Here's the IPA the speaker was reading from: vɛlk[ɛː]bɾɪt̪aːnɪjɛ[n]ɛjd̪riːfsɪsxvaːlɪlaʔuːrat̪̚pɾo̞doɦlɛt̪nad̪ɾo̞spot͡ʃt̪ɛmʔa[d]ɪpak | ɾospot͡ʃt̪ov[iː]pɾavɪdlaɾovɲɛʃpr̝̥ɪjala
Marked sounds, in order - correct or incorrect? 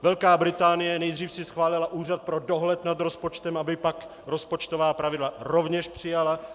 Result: incorrect, correct, incorrect, incorrect

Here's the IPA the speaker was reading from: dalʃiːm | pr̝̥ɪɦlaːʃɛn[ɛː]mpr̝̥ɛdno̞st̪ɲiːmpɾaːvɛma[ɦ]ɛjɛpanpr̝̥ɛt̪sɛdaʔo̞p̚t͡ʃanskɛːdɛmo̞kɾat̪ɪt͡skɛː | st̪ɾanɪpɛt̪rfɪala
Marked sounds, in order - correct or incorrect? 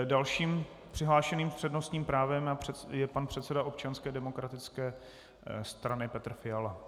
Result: incorrect, incorrect

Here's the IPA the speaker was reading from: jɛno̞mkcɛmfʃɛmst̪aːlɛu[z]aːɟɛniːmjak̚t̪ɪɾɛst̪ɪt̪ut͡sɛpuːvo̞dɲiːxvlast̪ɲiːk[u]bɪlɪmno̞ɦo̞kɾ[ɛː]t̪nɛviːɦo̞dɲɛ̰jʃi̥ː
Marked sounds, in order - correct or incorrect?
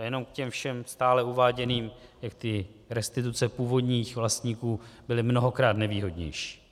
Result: incorrect, incorrect, incorrect

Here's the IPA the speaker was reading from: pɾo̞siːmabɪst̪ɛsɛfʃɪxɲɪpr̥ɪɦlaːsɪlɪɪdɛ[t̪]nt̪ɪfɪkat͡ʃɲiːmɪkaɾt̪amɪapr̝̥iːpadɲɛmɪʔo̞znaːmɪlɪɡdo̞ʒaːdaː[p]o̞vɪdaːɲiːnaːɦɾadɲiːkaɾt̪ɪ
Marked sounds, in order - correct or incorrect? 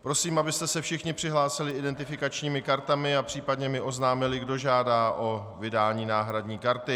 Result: incorrect, incorrect

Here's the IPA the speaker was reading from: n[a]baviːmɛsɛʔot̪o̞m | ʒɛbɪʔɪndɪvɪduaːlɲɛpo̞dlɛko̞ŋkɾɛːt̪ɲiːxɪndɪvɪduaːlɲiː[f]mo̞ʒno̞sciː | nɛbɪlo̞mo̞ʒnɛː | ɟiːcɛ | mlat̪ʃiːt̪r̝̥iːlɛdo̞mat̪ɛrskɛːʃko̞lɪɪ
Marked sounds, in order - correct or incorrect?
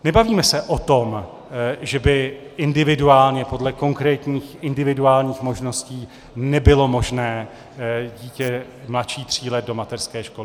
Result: incorrect, incorrect

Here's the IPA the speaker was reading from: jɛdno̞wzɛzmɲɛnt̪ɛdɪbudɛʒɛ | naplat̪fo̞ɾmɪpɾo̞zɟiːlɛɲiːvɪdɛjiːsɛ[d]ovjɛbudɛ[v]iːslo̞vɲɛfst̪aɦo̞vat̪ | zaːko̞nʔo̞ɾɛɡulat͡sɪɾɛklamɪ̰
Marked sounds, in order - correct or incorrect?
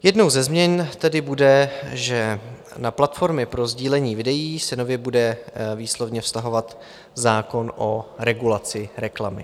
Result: incorrect, correct

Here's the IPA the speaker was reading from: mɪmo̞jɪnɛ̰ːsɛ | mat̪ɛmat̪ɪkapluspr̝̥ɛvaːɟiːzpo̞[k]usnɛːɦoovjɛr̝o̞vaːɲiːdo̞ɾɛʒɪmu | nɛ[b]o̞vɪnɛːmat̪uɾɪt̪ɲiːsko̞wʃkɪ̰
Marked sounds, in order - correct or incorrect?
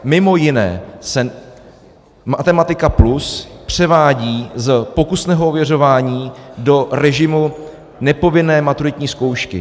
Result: correct, incorrect

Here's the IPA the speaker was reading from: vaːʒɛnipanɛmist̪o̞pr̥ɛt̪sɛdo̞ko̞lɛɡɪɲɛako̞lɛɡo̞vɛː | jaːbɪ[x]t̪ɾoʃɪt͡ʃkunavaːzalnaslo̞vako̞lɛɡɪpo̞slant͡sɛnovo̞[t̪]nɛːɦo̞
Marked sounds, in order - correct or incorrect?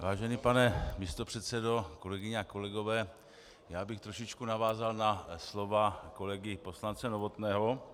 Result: correct, correct

